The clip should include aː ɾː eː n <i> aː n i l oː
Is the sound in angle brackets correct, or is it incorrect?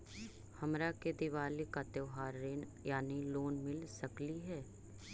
incorrect